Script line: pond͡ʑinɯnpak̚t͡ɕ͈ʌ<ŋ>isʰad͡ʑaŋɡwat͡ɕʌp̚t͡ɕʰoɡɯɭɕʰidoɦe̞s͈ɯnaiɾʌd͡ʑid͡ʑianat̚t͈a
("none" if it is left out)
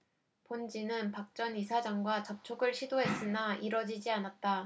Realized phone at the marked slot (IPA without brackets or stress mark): n